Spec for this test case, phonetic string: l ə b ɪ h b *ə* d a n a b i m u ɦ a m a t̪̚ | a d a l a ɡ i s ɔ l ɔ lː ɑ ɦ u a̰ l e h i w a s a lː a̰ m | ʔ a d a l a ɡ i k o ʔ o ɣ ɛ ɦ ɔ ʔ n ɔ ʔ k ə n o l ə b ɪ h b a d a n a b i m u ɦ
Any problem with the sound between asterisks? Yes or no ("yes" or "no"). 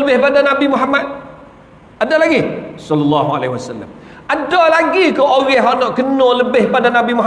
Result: yes